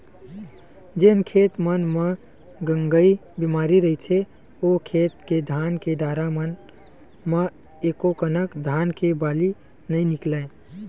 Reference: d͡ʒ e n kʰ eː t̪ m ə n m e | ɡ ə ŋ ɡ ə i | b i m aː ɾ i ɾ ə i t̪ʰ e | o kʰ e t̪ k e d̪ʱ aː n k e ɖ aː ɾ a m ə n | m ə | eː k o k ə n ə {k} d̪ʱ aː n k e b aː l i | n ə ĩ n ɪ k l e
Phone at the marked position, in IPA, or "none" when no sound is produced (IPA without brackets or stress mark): k